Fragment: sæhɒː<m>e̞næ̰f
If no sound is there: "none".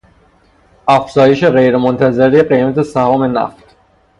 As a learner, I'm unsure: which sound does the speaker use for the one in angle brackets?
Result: m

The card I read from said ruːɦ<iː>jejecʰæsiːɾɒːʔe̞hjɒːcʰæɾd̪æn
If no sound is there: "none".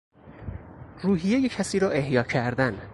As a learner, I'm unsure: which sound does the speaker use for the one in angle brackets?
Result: i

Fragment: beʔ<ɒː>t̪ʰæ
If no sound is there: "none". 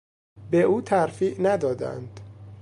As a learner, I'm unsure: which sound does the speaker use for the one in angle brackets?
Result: uː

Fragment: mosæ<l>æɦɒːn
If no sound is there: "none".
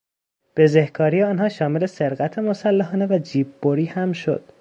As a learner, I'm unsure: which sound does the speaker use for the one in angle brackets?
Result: lː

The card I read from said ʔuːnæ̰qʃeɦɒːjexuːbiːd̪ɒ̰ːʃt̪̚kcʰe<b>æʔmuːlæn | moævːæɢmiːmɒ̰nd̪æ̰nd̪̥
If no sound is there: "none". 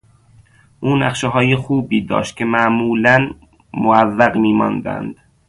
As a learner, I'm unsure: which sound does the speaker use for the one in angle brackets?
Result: m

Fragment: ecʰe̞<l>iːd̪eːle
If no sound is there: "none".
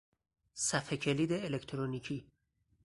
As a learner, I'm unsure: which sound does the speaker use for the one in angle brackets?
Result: l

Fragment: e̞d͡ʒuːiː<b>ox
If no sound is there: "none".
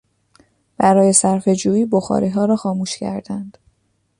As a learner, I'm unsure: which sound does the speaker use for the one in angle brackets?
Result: b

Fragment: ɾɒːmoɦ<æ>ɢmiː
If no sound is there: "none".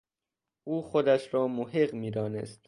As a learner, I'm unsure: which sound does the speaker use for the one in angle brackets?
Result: e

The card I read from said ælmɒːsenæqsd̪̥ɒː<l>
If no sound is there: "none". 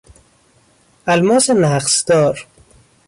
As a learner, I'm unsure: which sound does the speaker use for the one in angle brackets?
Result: ɾ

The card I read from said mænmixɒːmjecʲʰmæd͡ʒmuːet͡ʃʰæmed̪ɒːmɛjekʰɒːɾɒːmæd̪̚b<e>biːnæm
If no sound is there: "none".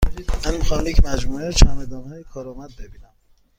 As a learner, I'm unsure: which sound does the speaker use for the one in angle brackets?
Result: e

